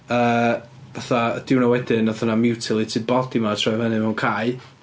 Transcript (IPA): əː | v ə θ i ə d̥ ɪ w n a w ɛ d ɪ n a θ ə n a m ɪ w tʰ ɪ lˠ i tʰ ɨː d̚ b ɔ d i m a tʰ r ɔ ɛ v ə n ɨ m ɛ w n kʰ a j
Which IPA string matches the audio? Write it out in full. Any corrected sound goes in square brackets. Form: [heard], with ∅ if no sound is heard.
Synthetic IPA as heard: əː | v [a] θ [a] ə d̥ ɪ w n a w ɛ d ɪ n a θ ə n a m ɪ w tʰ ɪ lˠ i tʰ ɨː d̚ b ɔ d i m a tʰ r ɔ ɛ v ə n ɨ m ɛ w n kʰ a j